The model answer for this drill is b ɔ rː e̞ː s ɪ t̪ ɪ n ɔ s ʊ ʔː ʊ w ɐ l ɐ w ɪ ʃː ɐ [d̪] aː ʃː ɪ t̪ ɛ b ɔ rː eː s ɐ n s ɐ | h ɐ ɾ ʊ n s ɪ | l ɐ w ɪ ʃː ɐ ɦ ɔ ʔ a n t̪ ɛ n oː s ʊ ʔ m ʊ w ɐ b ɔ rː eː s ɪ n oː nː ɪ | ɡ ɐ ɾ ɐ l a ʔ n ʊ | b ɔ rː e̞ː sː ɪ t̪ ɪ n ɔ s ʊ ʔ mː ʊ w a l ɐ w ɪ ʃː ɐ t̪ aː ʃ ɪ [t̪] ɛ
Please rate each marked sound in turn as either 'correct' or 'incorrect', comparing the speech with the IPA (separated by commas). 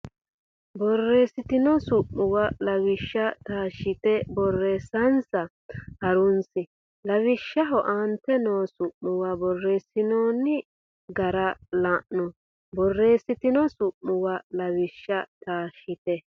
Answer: incorrect, correct